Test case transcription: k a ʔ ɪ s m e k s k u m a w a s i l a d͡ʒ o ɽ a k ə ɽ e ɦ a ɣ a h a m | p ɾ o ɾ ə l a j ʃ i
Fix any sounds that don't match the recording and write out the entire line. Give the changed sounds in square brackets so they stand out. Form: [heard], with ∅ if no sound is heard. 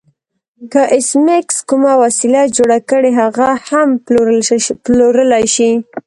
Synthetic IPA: k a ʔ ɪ s m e k s k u m a w a s i l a d͡ʒ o ɽ a k ə ɽ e ɦ a ɣ a h a m | p [l] o ɾ ə l a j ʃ i